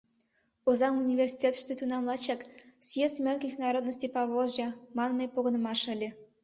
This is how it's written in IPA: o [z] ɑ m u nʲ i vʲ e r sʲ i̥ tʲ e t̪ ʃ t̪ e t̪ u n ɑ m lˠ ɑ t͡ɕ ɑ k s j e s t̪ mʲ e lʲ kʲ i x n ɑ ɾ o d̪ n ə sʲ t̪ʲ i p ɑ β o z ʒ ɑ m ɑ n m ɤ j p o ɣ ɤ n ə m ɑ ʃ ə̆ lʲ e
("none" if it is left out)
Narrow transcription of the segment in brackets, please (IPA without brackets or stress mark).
z